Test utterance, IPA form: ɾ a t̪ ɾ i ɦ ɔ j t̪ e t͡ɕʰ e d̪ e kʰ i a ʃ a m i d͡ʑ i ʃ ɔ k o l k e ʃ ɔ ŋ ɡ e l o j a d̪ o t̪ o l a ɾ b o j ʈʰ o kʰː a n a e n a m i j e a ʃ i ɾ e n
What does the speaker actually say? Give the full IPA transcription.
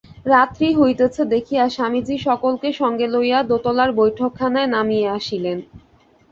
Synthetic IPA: ɾ a t̪ ɾ i ɦ o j t̪ e t͡ɕʰ e d̪ e kʰ i a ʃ a m i d͡ʑ i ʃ ɔ k o l k e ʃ ɔ ŋ ɡ e l o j a d̪ o t̪ o l a ɾ b o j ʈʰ o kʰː a n a e n a m i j e a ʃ i l e n